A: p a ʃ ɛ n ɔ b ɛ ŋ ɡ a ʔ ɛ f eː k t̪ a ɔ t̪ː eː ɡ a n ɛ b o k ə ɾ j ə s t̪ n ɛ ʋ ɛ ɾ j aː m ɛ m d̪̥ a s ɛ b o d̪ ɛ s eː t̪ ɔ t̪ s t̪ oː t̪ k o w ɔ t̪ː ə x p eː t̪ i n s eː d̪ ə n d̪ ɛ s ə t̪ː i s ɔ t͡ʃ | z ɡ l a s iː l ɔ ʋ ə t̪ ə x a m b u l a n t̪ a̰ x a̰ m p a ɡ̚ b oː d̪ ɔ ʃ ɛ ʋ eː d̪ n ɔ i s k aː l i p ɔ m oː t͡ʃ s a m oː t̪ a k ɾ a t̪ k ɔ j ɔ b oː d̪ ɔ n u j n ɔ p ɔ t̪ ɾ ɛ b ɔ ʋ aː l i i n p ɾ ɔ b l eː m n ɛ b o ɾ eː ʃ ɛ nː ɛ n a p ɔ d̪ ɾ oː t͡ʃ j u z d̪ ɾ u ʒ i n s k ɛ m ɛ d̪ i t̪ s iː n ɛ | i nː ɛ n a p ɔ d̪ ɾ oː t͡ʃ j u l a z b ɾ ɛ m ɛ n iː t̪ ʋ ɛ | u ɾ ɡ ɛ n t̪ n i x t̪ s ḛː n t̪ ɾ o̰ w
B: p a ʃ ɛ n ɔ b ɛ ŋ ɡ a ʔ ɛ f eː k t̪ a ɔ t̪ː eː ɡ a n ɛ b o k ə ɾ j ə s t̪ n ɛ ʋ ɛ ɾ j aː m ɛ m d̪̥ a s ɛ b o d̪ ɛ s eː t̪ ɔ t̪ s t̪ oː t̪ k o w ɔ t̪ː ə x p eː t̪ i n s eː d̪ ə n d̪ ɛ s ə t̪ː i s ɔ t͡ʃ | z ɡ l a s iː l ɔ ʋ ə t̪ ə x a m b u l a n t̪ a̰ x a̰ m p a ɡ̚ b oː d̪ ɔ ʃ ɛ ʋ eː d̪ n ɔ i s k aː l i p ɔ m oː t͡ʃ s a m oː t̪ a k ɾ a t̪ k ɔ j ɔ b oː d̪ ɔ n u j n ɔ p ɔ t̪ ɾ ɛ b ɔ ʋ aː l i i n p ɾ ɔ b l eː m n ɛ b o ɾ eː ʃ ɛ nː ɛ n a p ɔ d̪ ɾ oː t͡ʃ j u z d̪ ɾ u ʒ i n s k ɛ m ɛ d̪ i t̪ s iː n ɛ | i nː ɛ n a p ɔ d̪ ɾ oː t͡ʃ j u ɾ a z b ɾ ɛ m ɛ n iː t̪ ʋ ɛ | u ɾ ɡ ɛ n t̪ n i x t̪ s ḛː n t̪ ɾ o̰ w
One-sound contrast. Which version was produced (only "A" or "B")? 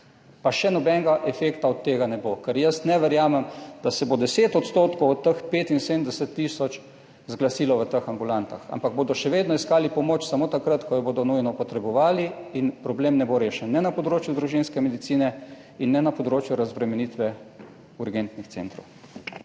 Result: B